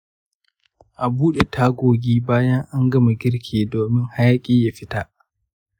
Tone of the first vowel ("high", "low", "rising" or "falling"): low